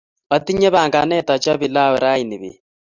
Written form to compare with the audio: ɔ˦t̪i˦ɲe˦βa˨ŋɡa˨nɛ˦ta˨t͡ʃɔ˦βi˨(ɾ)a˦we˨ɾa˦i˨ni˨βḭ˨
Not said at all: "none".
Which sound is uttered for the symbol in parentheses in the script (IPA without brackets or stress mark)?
l